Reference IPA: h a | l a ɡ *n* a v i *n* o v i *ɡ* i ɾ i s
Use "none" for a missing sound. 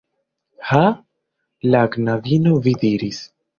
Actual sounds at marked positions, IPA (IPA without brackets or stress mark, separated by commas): n, n, d